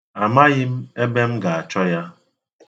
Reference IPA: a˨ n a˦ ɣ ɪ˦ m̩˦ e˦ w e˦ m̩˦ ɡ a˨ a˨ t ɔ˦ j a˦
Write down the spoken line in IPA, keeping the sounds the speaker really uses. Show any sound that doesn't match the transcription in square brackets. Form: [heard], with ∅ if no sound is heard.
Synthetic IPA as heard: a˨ [m] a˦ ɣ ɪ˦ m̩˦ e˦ [b] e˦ m̩˦ ɡ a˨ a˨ [t͡ʃ] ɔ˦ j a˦